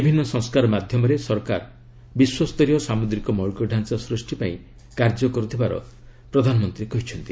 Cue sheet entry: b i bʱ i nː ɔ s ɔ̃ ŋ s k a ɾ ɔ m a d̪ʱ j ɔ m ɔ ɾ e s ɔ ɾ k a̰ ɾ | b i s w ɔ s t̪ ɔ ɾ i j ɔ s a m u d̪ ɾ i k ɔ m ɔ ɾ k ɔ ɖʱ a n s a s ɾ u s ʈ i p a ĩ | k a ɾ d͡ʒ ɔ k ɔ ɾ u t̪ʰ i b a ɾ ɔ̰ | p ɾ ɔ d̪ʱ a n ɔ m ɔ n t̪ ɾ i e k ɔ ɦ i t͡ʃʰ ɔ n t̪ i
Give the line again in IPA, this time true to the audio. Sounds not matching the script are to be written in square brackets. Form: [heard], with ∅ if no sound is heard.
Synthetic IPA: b i bʱ i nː ɔ s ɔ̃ ŋ s k a ɾ ɔ m a d̪ʱ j ɔ m ɔ ɾ e s ɔ ɾ k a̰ ɾ | b i s w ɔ s t̪ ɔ ɾ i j ɔ s a m u d̪ ɾ i k ɔ m ɔ [ɭ] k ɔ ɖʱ a n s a s ɾ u s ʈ i p a ĩ | k a ɾ d͡ʒ ɔ k ɔ ɾ u t̪ʰ i b a ɾ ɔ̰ | p ɾ ɔ d̪ʱ a n ɔ m ɔ n t̪ ɾ i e k ɔ ɦ i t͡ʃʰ ɔ n t̪ i